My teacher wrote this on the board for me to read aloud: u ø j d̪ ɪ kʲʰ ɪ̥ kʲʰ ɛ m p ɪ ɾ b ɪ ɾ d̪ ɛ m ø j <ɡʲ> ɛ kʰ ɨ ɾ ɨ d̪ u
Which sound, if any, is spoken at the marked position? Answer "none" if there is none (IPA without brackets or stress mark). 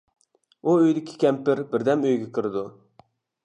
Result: ɡʲ